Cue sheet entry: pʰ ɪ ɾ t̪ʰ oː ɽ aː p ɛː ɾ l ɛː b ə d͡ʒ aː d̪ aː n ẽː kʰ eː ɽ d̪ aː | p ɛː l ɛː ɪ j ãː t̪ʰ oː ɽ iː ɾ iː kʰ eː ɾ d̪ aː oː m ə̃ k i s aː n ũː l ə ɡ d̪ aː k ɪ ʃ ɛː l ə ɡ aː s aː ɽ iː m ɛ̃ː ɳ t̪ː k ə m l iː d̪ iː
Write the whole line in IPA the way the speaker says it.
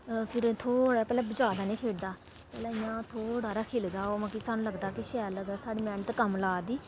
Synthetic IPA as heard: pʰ ɪ ɾ t̪ʰ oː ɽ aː p ɛː l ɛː b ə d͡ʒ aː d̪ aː n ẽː kʰ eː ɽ d̪ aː | p ɛː l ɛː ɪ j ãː t̪ʰ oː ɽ aː ɾ aː kʰ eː l d̪ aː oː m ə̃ k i s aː n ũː l ə ɡ d̪ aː k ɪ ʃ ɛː l ə ɡ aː s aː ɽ iː m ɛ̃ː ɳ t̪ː k ə m l aː d̪ iː